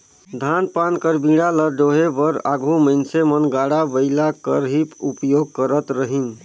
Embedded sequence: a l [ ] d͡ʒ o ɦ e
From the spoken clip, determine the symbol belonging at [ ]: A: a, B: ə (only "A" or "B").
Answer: B